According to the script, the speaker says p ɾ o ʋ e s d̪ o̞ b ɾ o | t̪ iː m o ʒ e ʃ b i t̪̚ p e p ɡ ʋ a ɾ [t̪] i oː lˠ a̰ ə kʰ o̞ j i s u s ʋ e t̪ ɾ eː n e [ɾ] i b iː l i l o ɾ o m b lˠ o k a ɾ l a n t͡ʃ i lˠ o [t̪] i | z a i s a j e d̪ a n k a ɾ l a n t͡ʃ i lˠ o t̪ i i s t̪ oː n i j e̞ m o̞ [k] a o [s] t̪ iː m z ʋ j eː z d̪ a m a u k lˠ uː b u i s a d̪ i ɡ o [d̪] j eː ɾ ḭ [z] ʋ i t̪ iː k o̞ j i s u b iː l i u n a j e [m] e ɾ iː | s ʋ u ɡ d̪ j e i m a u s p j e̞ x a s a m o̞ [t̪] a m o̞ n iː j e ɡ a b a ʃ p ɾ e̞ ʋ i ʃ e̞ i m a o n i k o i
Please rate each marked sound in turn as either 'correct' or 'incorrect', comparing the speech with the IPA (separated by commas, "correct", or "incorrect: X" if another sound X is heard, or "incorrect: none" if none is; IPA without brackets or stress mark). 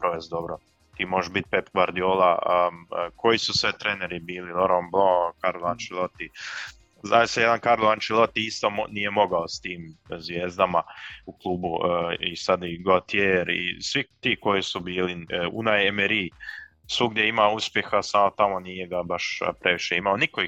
incorrect: d̪, correct, correct, incorrect: ɡ, correct, incorrect: t̪, incorrect: s, correct, correct